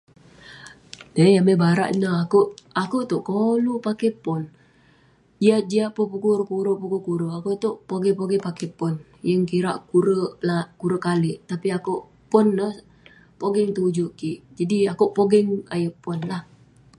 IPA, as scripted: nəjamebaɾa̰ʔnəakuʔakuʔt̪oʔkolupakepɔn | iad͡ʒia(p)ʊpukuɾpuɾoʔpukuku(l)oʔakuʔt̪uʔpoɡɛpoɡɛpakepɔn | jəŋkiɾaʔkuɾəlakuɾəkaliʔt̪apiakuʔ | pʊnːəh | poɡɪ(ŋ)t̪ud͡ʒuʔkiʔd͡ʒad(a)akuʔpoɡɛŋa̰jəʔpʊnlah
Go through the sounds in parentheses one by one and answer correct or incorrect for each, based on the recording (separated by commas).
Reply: correct, incorrect, correct, incorrect